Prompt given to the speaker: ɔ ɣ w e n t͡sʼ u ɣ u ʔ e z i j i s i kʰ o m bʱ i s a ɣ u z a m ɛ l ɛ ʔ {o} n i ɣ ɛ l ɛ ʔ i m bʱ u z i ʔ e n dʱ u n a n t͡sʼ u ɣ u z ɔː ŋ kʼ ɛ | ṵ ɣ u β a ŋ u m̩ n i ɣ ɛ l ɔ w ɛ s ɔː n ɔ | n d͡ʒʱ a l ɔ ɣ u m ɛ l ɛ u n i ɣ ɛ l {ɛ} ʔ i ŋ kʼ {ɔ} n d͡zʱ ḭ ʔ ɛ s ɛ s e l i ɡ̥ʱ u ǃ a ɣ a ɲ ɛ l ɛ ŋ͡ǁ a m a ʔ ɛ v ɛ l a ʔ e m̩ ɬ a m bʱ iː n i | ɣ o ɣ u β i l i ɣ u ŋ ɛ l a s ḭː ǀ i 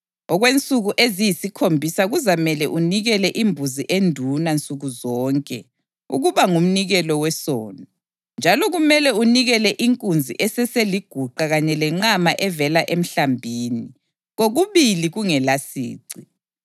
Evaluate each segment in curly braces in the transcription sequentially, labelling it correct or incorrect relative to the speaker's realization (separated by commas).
incorrect, correct, incorrect